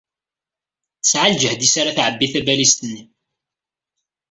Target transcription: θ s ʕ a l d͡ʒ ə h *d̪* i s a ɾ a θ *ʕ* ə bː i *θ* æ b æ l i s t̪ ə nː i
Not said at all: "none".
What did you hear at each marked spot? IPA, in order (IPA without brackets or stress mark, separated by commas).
d̪, ʕ, θ